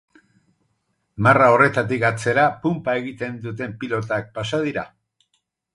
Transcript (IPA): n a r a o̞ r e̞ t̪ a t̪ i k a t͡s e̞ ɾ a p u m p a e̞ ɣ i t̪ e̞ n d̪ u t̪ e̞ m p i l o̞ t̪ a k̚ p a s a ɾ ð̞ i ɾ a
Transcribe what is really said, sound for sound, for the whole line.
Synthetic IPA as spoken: m a r a o̞ r e̞ t̪ a t̪ i k a t͡s e̞ ɾ a p u m p a e̞ ɣ i t̪ e̞ n d̪ u t̪ e̞ m p i l o̞ t̪ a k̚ p a s a ð̞ i ɾ a